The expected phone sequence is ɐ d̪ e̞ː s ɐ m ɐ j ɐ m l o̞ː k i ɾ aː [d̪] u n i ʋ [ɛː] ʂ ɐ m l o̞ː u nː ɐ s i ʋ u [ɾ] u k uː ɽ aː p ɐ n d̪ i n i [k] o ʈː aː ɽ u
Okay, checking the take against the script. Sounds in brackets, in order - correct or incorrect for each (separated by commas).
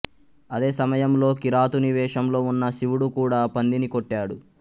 incorrect, correct, incorrect, correct